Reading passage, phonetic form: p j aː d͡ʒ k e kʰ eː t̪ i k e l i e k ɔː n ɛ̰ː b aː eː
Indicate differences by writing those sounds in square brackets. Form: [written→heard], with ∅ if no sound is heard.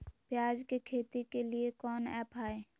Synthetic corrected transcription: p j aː d͡ʒ k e kʰ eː t̪ i k e l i e k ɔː n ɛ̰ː [b→p] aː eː